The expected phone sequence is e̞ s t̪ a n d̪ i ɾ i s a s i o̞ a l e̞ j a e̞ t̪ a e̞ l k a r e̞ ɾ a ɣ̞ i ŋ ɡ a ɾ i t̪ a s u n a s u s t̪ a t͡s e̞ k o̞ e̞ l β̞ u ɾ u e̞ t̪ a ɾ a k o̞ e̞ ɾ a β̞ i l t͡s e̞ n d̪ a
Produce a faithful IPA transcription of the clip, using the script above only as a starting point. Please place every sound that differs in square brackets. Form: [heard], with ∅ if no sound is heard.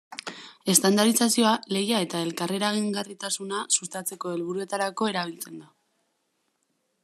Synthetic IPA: e̞ s t̪ a n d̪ [a] ɾ i s a s i o̞ a l e̞ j a e̞ t̪ a e̞ l k a r e̞ ɾ a ɣ̞ i ŋ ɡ a [r] i t̪ a s u n a s u s t̪ a t͡s e̞ k o̞ e̞ l β̞ u ɾ u e̞ t̪ a ɾ a k o̞ e̞ ɾ a β̞ i l t͡s e̞ n d̪ a